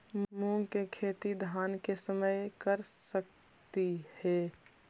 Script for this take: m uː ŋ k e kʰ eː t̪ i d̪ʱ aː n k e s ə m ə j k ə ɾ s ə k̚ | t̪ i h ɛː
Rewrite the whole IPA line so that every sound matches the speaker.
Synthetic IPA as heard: m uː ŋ k e kʰ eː t̪ i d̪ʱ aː n k e s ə m ə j k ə ɾ s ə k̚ | t̪ i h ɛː